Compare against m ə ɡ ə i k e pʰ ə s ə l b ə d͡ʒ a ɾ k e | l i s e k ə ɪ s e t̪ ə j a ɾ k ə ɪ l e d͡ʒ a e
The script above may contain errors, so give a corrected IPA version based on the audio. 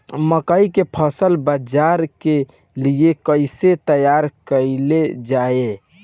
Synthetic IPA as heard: m ə k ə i k e pʰ ə s ə l b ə d͡ʒ a ɾ k e | l i e k ə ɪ s e t̪ ə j a ɾ k ə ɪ l e d͡ʒ a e

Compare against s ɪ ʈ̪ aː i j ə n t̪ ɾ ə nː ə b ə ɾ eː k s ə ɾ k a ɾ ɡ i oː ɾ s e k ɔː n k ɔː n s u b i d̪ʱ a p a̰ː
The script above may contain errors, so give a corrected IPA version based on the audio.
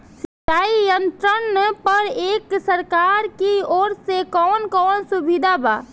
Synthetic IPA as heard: s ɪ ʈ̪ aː i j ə n t̪ ɾ ə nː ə p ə ɾ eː k s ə ɾ k a ɾ k i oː ɾ s e k ɔː n k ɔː n s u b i d̪ʱ a b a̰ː

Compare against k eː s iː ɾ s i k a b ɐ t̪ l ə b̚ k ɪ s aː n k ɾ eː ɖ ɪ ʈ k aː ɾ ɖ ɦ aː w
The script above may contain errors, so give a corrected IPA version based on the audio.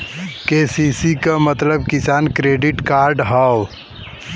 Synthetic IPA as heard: k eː s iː s i k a m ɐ t̪ l ə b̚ k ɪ s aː n k ɾ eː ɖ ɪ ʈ k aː ɾ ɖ ɦ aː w

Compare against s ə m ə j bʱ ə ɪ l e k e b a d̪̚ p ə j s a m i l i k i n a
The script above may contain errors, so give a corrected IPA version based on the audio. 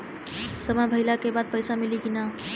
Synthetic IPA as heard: s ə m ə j bʱ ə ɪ l a k e b a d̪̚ p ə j s a m i l i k i n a

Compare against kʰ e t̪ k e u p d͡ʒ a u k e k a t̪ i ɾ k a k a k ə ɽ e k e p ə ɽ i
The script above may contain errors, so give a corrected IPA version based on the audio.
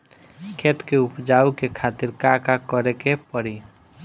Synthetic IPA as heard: kʰ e t̪ k e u p d͡ʒ a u k e kʰ a t̪ i ɾ k a k a k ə ɾ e k e p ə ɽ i

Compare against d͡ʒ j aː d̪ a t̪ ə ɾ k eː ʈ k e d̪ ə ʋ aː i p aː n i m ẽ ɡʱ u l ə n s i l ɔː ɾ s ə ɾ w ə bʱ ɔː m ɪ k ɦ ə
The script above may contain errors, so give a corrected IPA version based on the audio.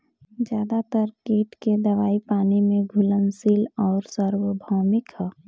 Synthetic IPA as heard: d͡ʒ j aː d̪ a t̪ ə ɾ k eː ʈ k e d̪ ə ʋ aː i p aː n i m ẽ ɡʱ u l ə n s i l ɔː ɾ s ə ɾ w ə bʱ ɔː m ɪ k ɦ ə

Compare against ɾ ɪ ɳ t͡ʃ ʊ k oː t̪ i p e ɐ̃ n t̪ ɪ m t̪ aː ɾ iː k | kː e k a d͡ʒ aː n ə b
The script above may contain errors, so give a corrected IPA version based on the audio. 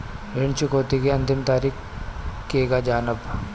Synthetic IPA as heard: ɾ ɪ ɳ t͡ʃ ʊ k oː t̪ i k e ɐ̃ n t̪ ɪ m t̪ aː ɾ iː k | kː e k a d͡ʒ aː n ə b

